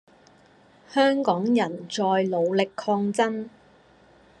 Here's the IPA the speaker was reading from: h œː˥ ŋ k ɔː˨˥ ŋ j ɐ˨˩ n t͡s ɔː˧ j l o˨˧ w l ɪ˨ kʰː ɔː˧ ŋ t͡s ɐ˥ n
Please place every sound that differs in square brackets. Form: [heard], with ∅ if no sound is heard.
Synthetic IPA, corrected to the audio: h œː˥ ŋ k ɔː˨˥ ŋ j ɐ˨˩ n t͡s ɔː˧ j l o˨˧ w l ɪ˨ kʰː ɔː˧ ŋ t͡s ɐ˥ n

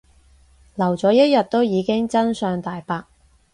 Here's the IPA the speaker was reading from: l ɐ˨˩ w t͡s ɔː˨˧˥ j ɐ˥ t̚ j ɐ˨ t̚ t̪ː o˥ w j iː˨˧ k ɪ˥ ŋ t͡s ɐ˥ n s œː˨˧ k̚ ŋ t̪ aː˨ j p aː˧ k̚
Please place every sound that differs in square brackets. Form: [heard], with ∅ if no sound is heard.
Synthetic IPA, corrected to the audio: l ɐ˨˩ w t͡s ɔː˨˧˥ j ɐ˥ t̚ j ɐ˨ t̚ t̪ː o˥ w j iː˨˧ k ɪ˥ ŋ t͡s ɐ˥ n s œː˨˧ [∅] ŋ t̪ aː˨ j p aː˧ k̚

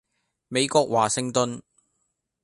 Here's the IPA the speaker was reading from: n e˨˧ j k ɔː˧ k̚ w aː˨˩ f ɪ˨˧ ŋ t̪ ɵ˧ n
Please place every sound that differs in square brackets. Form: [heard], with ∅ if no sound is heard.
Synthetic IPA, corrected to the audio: [m] e˨˧ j k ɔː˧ k̚ w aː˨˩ [s] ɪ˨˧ ŋ t̪ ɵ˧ n

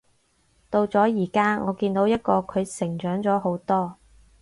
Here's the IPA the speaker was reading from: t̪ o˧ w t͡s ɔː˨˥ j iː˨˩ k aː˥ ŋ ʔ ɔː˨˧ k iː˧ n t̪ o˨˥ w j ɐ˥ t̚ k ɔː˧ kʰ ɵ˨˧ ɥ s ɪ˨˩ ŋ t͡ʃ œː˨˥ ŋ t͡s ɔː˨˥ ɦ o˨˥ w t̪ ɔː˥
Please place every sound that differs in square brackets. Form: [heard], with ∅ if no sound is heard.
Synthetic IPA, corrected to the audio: t̪ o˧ w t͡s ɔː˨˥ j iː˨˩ k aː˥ ŋ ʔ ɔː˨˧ k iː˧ n t̪ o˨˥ w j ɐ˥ t̚ k ɔː˧ kʰ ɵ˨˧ ɥ s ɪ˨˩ ŋ t͡ʃ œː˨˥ ŋ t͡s ɔː˨˥ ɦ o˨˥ w t̪ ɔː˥

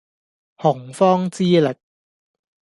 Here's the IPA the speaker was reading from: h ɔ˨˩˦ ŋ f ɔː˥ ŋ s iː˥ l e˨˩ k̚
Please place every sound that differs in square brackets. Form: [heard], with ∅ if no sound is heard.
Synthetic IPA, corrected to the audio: h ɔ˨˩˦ ŋ f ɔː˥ ŋ [t͡s] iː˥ l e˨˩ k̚

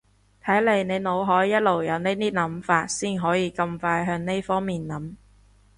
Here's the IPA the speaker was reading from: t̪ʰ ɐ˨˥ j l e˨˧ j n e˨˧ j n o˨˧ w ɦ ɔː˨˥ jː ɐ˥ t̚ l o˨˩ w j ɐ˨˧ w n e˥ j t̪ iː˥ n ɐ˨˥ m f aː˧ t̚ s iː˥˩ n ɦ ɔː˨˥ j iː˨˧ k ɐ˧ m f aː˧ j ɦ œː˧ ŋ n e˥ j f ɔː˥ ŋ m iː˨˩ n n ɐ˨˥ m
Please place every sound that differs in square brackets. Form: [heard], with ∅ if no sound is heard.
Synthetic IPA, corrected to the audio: t̪ʰ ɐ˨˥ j l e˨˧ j n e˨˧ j n o˨˧ w ɦ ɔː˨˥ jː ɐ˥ t̚ l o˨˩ w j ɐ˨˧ w n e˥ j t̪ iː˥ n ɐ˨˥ m f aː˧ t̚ s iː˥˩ n ɦ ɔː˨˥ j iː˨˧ k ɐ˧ m f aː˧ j ɦ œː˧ ŋ n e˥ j f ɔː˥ ŋ m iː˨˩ n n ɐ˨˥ m

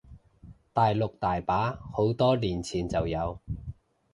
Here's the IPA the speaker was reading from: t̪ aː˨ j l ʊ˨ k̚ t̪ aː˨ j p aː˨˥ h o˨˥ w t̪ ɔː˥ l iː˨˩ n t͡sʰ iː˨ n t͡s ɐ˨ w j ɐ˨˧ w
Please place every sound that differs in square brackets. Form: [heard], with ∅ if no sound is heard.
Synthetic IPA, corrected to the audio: t̪ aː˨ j l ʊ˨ k̚ t̪ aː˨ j p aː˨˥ h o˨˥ w t̪ ɔː˥ l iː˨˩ n t͡sʰ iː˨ n t͡s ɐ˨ w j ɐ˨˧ w

